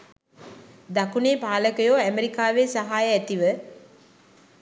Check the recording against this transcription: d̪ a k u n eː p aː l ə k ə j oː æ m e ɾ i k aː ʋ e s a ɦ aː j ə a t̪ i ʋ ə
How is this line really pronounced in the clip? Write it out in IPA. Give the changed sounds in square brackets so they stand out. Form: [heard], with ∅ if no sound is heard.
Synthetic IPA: d̪ a k u n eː p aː l ə k ə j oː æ m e ɾ i k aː ʋ e s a ɦ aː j ə [æ] t̪ i ʋ ə